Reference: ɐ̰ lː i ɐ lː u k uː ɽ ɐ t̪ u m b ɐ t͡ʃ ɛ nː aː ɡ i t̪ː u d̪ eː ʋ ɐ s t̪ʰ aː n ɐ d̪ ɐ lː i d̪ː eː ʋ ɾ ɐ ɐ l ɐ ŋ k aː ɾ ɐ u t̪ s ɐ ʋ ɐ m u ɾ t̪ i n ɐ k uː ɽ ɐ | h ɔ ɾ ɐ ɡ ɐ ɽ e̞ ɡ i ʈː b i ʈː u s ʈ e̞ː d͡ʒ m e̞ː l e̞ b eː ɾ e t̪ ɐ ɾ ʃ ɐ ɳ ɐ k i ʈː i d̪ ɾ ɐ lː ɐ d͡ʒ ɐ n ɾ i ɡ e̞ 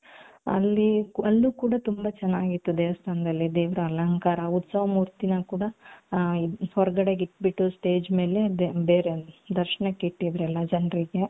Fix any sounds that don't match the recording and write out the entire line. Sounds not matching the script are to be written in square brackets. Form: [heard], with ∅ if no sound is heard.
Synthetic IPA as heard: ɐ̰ lː i ɐ lː u k uː ɽ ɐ t̪ u m b ɐ t͡ʃ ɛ nː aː ɡ i t̪ː u d̪ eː ʋ ɐ s t̪ʰ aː n ɐ d̪ ɐ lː i [d̪] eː ʋ ɾ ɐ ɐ l ɐ ŋ k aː ɾ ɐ u t̪ s ɐ ʋ ɐ m [uː] ɾ t̪ i n ɐ k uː ɽ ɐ | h ɔ ɾ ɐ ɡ ɐ ɽ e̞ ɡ i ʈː b i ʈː u s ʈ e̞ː d͡ʒ m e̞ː l e̞ b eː ɾ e [d̪] ɐ ɾ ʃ ɐ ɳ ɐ k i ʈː i d̪ ɾ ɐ lː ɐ d͡ʒ ɐ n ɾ i ɡ e̞